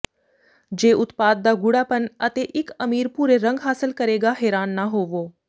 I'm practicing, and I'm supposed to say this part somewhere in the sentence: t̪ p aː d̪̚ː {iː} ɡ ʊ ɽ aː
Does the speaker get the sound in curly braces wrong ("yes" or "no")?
yes